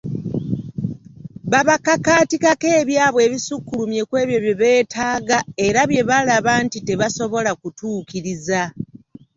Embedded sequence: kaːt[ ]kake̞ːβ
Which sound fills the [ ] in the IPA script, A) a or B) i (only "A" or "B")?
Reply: B